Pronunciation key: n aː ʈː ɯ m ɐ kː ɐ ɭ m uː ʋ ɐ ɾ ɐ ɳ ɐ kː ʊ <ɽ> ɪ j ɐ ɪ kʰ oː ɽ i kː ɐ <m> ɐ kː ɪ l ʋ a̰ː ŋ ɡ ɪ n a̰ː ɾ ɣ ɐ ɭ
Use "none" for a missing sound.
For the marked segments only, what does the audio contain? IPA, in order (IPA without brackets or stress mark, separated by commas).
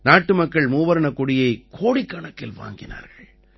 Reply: ɽ, ɳ